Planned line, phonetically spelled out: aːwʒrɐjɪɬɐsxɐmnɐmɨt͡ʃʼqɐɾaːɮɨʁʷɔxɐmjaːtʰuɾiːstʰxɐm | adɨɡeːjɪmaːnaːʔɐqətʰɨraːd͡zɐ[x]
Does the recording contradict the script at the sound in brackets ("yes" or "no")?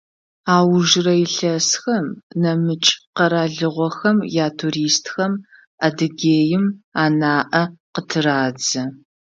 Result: yes